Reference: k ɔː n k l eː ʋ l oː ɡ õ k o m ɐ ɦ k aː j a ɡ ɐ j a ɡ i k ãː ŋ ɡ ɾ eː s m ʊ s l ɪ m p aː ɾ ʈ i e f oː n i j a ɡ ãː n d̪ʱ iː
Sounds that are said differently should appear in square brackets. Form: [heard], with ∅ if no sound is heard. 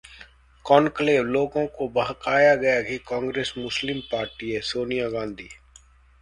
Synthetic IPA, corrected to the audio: k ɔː n k l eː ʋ l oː ɡ õ k o [b] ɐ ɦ k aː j a ɡ ɐ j a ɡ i k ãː ŋ ɡ ɾ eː s m ʊ s l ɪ m p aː ɾ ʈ i e [s] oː n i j a ɡ ãː n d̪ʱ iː